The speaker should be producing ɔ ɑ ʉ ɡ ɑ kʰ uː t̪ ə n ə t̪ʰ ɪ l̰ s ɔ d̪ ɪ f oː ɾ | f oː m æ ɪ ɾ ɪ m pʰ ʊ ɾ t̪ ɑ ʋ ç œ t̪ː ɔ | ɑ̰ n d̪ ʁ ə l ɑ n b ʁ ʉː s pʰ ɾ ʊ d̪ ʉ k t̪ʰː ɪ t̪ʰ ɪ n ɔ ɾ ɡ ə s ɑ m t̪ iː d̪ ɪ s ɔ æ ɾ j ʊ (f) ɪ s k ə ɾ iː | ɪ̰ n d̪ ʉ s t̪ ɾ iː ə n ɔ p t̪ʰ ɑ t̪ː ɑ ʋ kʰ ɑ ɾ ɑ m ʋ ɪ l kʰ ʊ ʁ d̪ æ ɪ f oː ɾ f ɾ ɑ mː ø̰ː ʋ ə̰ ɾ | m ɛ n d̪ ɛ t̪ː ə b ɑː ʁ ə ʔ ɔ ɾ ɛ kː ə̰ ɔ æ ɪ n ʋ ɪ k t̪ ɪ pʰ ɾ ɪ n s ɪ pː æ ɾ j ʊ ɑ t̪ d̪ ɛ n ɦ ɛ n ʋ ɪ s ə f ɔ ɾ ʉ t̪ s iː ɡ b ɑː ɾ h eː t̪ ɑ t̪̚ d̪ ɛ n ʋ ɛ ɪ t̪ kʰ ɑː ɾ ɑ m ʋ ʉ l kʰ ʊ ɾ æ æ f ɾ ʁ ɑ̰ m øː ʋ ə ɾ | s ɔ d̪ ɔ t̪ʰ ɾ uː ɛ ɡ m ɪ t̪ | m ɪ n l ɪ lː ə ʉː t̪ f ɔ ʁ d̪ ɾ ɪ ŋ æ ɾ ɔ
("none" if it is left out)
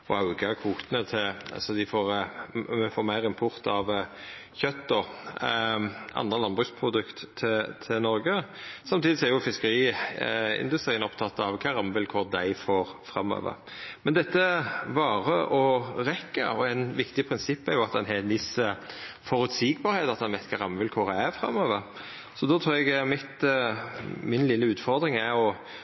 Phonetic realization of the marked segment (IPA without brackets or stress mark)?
f